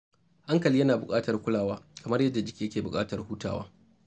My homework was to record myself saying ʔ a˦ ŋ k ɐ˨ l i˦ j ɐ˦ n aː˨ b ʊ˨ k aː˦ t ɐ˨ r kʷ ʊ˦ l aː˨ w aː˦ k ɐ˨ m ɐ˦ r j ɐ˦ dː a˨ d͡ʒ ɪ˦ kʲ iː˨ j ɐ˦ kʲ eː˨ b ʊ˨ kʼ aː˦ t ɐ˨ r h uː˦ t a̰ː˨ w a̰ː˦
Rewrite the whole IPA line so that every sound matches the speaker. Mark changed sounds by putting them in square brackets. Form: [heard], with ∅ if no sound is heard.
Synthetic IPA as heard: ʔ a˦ ŋ k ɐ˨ l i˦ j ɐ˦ n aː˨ b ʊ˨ [kʼ] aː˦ t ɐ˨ r kʷ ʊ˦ l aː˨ w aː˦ k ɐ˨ m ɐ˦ r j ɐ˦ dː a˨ d͡ʒ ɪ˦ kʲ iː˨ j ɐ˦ kʲ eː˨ b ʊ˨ kʼ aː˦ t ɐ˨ r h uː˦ t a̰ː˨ w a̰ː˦